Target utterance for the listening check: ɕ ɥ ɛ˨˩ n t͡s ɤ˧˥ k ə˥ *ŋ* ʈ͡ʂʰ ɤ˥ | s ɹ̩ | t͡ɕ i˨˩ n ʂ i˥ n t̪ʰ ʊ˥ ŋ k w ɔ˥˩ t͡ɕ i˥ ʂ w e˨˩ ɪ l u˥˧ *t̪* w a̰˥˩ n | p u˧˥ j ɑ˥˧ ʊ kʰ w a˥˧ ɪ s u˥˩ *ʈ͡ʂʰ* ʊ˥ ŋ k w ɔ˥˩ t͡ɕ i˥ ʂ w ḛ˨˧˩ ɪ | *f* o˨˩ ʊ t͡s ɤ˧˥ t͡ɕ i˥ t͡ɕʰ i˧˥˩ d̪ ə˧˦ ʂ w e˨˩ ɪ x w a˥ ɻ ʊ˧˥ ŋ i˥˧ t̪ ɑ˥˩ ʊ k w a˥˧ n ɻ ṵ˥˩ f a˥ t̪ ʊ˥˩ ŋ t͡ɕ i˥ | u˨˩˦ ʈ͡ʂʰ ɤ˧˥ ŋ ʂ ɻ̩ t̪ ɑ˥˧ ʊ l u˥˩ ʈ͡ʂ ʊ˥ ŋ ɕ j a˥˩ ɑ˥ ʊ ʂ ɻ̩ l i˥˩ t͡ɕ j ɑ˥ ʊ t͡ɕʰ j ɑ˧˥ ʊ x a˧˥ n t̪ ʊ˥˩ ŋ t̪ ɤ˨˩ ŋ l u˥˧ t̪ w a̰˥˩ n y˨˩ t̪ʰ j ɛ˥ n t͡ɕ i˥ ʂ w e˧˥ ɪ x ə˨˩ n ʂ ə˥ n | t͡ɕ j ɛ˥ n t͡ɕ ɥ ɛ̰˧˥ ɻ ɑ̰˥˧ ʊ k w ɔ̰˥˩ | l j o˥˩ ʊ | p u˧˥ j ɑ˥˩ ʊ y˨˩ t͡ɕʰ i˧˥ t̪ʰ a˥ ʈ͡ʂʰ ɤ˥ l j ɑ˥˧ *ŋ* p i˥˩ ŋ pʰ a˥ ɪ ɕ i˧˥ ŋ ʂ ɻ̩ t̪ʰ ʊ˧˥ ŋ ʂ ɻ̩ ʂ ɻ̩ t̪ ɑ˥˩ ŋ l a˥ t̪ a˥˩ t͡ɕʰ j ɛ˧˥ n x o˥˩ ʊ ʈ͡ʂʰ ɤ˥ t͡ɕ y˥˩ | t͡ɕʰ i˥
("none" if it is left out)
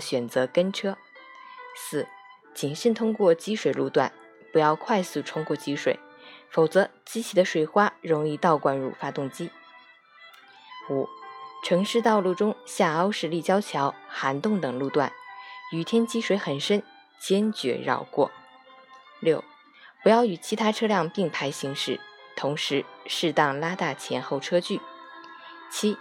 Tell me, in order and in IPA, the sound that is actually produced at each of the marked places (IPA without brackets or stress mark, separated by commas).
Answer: n, t̪, ʈ͡ʂʰ, f, ŋ